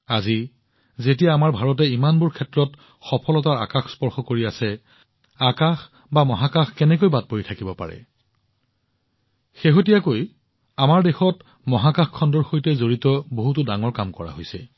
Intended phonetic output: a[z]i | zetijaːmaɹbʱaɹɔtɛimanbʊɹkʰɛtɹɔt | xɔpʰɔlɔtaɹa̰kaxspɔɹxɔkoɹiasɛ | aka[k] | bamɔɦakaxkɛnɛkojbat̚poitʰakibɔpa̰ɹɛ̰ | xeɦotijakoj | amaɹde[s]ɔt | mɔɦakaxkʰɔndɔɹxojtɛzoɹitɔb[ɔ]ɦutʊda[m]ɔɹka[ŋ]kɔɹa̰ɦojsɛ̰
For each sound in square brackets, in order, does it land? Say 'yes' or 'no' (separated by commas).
yes, no, no, no, no, no